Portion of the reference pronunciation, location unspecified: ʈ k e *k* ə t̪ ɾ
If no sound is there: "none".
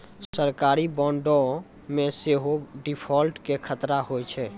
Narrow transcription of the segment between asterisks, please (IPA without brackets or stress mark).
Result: kʰ